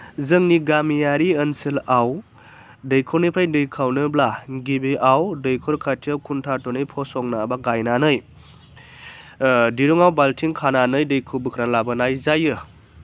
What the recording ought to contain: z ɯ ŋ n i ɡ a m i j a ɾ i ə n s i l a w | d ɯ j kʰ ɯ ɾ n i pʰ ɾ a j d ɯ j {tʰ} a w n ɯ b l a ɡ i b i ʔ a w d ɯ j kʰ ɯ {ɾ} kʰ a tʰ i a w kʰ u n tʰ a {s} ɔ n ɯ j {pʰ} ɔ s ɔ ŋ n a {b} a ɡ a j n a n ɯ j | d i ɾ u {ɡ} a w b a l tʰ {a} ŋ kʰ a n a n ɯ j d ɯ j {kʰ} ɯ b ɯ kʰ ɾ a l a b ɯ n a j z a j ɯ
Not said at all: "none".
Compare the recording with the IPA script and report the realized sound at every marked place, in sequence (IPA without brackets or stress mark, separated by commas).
kʰ, ɾ, t, pʰ, b, ŋ, i, kʰ